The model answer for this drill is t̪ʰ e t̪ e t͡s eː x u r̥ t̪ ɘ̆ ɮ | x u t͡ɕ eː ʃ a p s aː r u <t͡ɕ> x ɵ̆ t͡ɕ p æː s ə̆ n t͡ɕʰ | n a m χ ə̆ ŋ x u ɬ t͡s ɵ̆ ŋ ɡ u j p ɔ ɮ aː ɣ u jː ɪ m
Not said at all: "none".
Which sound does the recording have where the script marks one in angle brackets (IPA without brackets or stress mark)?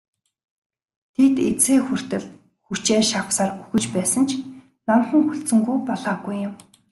none